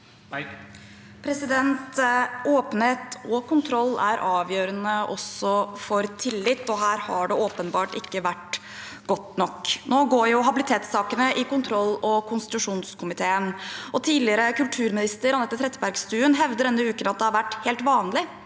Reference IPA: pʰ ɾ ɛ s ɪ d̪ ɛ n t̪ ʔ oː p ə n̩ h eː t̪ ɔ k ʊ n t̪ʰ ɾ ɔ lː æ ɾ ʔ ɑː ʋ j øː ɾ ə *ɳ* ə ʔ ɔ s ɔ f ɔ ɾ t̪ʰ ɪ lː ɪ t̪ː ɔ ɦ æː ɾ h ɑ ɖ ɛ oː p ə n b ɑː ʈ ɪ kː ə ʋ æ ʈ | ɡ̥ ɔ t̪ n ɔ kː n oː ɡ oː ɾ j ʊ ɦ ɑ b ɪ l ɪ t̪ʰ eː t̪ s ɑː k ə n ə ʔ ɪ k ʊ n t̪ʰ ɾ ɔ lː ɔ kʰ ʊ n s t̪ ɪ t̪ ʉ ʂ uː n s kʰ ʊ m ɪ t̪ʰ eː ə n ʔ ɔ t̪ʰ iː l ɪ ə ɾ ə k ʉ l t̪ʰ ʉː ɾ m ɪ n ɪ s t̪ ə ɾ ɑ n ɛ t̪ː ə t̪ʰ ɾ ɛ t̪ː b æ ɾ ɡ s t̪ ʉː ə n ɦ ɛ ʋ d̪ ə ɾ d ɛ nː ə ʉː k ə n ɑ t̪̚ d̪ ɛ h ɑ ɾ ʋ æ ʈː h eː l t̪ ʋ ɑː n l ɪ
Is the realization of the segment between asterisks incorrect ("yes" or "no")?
yes